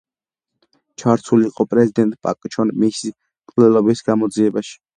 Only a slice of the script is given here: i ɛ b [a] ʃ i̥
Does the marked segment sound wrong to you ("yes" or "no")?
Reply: no